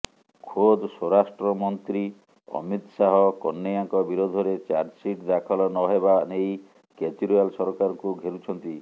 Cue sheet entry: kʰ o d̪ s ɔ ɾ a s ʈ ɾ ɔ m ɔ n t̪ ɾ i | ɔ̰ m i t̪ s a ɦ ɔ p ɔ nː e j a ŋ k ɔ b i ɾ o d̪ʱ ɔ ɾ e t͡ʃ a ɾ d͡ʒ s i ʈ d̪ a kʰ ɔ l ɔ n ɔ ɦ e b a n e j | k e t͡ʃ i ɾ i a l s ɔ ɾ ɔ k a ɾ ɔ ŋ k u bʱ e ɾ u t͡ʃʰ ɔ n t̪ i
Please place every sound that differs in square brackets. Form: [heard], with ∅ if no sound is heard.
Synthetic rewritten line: kʰ o d̪ s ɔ ɾ a s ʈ ɾ ɔ m ɔ n t̪ ɾ i | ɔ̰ m i t̪ s a ɦ ɔ [k] ɔ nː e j a ŋ k ɔ b i ɾ o d̪ʱ ɔ ɾ e t͡ʃ a ɾ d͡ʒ s i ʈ d̪ a kʰ ɔ l ɔ n ɔ ɦ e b a n e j | k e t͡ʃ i ɾ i a l s ɔ ɾ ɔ k a ɾ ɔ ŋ k u [ɡʱ] e ɾ u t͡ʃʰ ɔ n t̪ i